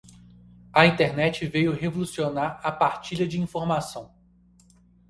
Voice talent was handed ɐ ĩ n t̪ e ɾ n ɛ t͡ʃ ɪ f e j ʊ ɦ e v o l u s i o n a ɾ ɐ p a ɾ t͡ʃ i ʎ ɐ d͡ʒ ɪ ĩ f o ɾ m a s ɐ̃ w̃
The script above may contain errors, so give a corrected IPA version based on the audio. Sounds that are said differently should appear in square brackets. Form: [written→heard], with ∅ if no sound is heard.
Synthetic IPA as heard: ɐ ĩ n t̪ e ɾ n ɛ t͡ʃ ɪ [f→v] e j ʊ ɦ e v o l u s i o n a ɾ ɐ p a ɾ t͡ʃ i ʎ ɐ d͡ʒ ɪ ĩ f o ɾ m a s ɐ̃ w̃